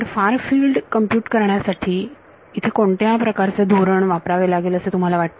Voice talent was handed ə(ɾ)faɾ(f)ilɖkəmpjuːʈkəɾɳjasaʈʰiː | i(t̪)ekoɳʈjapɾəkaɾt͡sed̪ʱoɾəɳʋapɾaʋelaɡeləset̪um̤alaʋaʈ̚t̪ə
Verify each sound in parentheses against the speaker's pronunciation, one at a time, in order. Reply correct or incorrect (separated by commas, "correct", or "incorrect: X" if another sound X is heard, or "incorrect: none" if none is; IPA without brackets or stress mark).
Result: correct, correct, incorrect: t̪ʰ